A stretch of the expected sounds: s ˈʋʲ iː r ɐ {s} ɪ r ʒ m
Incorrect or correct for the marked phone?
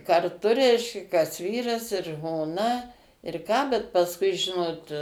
correct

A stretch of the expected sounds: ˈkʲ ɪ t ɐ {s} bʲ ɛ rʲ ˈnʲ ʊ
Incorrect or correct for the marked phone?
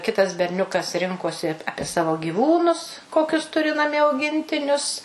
correct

